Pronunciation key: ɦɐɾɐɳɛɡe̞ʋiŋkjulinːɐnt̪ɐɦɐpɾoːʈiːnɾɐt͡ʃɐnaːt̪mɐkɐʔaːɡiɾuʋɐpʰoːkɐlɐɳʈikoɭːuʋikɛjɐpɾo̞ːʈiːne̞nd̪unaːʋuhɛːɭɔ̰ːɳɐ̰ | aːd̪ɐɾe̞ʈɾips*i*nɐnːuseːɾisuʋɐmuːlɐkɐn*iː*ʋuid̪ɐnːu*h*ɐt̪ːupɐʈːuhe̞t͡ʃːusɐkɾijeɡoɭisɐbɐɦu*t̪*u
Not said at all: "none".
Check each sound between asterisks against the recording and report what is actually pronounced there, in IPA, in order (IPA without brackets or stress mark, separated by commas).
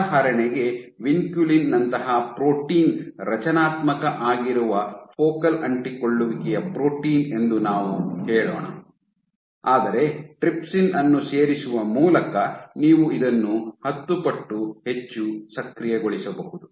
i, iː, h, d̪